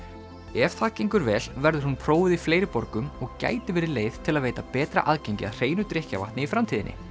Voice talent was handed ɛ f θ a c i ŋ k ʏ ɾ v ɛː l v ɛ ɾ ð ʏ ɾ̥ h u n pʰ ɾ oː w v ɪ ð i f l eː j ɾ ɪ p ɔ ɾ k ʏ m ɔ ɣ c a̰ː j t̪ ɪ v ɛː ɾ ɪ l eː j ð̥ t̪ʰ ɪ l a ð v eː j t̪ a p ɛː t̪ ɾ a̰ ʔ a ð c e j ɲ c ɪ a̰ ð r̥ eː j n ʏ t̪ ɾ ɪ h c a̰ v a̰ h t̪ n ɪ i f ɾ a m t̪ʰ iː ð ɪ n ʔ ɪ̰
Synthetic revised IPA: ɛ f θ a c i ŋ k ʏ ɾ v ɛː l v ɛ ɾ ð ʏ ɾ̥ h u n pʰ ɾ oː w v ɪ ð i f l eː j ɾ ɪ p ɔ ɾ k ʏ m ɔ ɣ c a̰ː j t̪ ɪ v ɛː ɾ ɪ l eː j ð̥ t̪ʰ ɪ l a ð v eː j t̪ a p ɛː t̪ ɾ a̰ ʔ a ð c e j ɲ c ɪ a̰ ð r̥ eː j n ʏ t̪ ɾ ɪ h c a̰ v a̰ h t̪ n ɪ i f ɾ a m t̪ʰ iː ð ɪ n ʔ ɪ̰